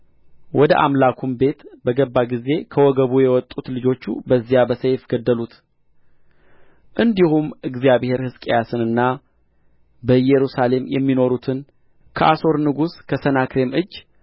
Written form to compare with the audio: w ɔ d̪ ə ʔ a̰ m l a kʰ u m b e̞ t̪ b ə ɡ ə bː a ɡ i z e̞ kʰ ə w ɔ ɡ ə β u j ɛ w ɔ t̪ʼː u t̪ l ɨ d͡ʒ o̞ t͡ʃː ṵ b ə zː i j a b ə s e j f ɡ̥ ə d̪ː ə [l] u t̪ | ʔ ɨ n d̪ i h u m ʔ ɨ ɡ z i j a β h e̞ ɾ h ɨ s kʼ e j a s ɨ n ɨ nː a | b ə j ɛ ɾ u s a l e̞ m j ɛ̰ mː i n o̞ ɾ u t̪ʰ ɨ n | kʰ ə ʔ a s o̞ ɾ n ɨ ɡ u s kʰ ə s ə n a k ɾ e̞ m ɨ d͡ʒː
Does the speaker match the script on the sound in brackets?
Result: yes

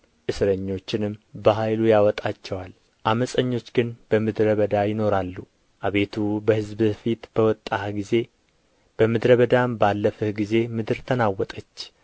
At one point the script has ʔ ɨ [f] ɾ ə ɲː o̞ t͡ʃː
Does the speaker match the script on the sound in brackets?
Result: no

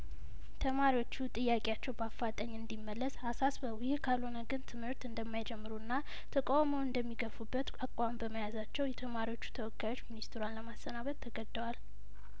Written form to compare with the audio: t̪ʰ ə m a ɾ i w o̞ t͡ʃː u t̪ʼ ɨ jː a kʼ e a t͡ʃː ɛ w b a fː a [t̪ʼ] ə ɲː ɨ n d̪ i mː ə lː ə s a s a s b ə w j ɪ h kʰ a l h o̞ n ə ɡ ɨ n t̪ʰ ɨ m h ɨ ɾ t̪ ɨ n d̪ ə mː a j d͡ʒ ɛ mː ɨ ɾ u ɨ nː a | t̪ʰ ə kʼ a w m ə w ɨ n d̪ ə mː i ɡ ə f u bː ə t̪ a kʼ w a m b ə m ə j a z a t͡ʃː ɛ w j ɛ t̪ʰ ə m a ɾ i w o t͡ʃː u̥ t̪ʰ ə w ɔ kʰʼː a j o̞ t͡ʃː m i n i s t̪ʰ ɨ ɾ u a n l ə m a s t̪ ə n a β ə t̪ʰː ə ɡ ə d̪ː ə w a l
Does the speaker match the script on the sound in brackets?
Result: yes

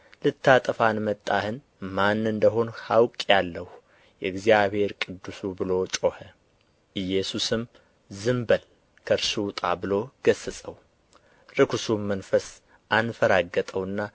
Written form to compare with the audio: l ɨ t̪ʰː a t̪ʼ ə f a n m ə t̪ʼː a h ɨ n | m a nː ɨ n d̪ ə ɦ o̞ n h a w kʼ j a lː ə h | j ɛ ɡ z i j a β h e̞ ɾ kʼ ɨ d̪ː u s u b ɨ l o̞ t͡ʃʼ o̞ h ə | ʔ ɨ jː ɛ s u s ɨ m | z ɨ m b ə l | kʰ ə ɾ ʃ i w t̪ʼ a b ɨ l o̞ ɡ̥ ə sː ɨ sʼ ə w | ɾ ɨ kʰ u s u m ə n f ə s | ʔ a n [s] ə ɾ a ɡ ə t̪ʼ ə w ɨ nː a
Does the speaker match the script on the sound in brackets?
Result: no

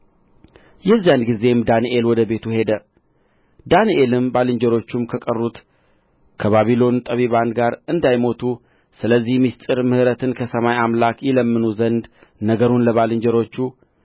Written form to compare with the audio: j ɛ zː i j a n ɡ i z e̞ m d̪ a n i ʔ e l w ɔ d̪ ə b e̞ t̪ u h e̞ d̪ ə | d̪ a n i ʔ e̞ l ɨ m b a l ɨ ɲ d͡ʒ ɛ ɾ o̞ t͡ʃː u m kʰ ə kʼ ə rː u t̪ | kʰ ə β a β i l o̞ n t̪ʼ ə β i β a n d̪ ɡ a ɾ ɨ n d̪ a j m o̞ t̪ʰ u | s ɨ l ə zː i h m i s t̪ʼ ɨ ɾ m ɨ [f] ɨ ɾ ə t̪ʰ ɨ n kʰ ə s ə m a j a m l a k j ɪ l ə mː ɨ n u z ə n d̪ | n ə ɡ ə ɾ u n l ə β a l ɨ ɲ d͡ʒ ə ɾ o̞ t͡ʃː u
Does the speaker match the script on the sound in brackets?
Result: no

